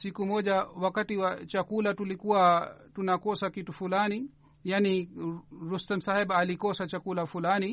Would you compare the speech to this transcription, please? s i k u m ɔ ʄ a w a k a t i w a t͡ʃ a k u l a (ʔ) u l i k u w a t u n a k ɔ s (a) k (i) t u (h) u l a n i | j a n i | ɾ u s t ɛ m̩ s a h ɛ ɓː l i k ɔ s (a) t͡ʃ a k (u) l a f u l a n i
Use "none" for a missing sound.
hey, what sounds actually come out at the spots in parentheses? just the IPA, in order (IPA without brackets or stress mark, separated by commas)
t, a, i, f, a, u